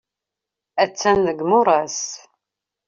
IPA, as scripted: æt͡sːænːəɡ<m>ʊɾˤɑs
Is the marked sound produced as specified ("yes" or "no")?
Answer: yes